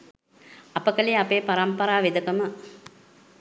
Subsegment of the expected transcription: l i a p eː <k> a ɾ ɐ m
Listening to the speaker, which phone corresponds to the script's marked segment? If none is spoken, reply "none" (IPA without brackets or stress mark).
p